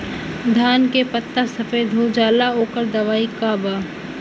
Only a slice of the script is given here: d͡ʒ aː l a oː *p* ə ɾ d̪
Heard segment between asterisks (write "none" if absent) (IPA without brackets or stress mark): k